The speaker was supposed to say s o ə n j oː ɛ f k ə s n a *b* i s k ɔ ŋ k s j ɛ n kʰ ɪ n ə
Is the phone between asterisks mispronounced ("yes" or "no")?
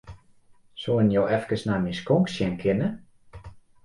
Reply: yes